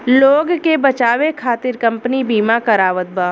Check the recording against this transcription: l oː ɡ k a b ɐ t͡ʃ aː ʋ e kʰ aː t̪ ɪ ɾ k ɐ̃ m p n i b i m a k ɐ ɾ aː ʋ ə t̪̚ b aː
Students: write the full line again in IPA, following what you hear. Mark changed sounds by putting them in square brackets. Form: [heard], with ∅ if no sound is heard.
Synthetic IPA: l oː ɡ k [e] b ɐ t͡ʃ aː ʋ e kʰ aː t̪ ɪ ɾ k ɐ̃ m p n i b [iː] m a k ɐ ɾ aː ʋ ə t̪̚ b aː